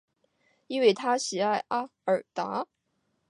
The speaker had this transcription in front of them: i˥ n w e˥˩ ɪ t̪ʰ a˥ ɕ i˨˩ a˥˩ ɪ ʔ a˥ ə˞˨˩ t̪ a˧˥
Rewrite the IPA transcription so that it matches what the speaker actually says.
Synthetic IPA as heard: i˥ n w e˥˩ ɪ t̪ʰ a˥ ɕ i˨˩ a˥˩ ɪ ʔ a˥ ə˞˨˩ t̪ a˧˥